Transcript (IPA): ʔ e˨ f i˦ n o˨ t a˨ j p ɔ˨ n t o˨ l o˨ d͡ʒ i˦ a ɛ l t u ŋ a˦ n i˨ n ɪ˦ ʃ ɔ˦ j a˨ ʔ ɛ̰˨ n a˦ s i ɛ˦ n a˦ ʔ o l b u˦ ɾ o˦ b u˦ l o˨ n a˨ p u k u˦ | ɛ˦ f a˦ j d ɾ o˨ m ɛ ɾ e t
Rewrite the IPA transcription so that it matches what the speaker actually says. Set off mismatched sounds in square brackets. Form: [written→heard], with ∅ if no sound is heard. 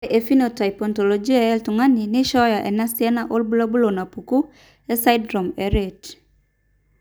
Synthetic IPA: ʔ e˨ f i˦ n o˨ t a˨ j p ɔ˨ n t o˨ l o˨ d͡ʒ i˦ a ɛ l t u ŋ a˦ n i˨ n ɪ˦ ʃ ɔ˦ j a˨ ʔ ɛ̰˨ n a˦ s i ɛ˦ n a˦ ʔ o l b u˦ [ɾ→l] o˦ b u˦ l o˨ n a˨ p u k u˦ | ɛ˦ [f→s] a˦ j d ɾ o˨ m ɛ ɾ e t